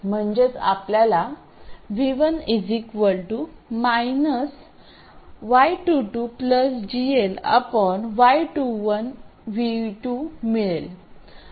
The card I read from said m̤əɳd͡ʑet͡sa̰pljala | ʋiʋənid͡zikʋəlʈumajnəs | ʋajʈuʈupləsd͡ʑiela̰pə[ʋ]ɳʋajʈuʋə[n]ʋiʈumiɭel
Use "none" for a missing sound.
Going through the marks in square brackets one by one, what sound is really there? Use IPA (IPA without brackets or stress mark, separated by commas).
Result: none, n